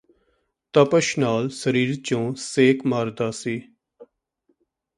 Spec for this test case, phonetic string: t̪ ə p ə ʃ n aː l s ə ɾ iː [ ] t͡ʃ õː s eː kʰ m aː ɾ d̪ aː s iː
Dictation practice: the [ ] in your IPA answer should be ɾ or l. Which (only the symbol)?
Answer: ɾ